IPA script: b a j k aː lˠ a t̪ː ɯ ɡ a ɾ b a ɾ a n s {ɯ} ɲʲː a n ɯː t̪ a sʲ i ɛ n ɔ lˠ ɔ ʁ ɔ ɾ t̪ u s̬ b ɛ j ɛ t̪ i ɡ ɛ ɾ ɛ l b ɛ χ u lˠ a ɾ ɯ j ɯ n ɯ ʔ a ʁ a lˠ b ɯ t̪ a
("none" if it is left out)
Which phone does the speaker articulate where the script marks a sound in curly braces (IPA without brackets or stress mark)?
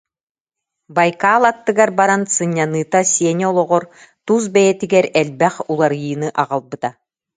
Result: ɯ